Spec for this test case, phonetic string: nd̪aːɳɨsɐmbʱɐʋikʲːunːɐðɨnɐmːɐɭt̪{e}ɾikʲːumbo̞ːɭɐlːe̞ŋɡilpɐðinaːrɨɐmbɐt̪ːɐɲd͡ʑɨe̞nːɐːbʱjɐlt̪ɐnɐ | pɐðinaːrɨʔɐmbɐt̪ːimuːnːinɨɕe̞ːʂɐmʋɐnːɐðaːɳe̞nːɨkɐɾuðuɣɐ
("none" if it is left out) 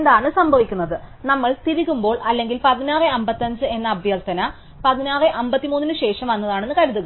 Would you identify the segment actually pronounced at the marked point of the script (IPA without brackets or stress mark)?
i